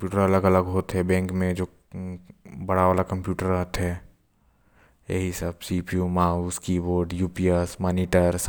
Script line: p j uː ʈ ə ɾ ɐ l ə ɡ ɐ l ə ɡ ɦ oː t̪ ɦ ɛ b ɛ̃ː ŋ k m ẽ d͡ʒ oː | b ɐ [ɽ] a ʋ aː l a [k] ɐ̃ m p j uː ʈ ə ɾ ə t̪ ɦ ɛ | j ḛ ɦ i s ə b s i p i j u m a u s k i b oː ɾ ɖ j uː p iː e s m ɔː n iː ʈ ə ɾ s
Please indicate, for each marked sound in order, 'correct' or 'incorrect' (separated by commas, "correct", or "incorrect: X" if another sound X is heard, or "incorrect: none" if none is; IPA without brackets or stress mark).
correct, correct